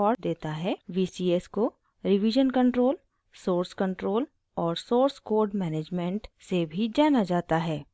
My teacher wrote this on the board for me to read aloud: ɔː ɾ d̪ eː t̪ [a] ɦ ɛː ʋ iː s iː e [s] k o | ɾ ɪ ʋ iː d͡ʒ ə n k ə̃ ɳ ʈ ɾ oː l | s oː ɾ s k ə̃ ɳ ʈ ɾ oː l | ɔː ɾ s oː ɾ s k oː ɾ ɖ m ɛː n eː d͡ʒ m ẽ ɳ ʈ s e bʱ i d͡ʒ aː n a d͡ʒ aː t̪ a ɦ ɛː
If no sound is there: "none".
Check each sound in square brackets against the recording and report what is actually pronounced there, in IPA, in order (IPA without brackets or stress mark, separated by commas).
a, s